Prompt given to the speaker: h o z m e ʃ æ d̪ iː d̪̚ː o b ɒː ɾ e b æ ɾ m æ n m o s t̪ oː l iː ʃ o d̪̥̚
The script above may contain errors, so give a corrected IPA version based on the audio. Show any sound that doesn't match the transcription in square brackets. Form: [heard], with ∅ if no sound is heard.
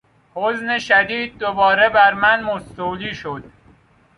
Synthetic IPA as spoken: h o z [n] e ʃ æ d̪ iː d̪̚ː o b ɒː ɾ e b æ ɾ m æ n m o s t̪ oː l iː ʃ o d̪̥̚